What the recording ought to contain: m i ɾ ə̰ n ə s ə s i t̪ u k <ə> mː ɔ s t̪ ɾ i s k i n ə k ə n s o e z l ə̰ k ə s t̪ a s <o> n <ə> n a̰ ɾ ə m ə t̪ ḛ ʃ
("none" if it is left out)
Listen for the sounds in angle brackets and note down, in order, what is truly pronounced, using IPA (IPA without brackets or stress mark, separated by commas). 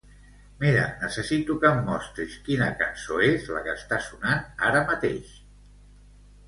ə, u, a